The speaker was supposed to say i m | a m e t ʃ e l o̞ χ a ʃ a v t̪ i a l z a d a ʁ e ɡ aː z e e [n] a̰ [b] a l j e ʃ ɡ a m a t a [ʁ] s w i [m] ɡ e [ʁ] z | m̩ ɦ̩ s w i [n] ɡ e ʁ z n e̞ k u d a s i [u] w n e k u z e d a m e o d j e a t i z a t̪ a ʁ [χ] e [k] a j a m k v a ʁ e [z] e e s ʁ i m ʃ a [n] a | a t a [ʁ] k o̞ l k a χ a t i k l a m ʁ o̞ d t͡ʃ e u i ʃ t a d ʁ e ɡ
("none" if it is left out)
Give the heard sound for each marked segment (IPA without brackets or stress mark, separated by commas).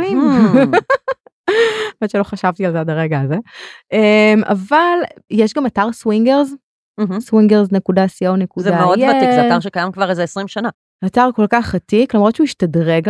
m, v, ʁ, ŋ, ʁ, ŋ, o, ʃ, k, z, n, ʁ